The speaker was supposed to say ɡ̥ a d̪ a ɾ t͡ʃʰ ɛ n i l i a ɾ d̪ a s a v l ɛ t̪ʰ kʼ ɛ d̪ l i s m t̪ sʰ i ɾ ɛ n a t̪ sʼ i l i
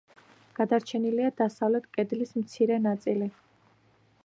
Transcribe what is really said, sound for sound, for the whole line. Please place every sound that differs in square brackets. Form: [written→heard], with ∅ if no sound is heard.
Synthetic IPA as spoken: ɡ̥ a d̪ a ɾ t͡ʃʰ ɛ n i l i a [ɾ→∅] d̪ a s a v l ɛ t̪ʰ kʼ ɛ d̪ l i s m t̪ sʰ i ɾ ɛ n a t̪ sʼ i l i